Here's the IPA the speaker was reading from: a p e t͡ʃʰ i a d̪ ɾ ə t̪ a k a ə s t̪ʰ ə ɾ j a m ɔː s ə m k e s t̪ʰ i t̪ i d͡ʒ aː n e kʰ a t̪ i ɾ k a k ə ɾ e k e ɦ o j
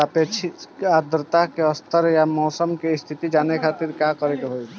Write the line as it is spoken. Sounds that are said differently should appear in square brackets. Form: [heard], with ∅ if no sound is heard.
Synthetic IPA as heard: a p e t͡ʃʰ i a d̪ ɾ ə t̪ a k [e] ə s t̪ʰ ə ɾ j a m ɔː s ə m k e s t̪ʰ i t̪ i d͡ʒ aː n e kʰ a t̪ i ɾ k a k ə ɾ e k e ɦ o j